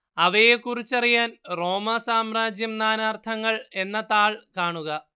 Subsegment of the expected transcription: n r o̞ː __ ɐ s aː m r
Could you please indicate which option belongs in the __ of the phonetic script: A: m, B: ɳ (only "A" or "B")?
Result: A